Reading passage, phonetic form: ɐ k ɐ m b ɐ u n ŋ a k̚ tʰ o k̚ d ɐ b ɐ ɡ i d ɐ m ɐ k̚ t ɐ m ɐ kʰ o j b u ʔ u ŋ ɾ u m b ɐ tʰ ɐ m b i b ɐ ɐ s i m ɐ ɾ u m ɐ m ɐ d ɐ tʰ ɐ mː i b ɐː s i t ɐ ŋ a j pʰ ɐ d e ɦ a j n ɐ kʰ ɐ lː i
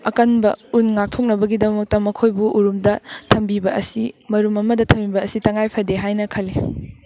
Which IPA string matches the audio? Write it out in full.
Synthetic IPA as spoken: ɐ k ɐ n b ɐ u n ŋ a k̚ tʰ o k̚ n ɐ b ɐ ɡ i d ɐ m ɐ k̚ t ɐ m ɐ kʰ o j b u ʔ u ɾ u m d ɐ tʰ ɐ m b i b ɐ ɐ s i m ɐ ɾ u m ɐ m ɐ d ɐ tʰ ɐ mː i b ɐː s i t ɐ ŋ a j pʰ ɐ d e ɦ a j n ɐ kʰ ɐ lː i